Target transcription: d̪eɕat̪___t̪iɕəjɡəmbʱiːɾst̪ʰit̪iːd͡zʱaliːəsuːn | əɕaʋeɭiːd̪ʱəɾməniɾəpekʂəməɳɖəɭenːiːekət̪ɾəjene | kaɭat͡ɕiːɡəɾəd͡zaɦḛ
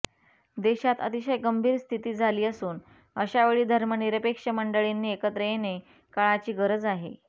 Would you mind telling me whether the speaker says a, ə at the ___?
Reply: ə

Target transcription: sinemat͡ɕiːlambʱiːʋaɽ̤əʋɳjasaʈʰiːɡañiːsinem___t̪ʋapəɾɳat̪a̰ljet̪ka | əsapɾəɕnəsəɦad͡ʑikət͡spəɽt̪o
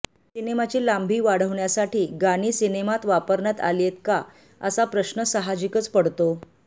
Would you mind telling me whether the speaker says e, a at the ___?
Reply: a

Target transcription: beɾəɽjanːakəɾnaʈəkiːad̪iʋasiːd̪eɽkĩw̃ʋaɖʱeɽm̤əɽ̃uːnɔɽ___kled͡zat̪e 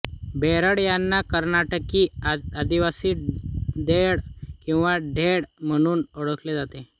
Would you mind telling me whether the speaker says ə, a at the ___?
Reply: ə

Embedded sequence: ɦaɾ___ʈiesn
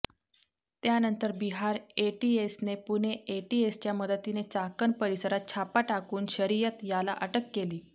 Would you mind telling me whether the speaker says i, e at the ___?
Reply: e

